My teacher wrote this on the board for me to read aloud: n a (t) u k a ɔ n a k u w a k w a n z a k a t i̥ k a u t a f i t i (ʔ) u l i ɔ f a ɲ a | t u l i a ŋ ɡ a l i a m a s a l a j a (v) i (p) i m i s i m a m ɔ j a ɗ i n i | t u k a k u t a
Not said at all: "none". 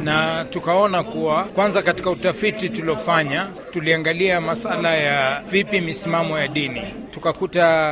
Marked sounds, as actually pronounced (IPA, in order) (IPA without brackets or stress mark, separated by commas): t, t, v, p